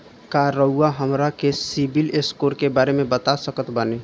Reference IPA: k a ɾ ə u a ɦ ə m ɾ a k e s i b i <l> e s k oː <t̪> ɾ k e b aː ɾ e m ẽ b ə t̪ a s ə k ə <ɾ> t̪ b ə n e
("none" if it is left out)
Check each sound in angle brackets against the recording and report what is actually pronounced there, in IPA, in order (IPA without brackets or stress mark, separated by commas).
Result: l, none, none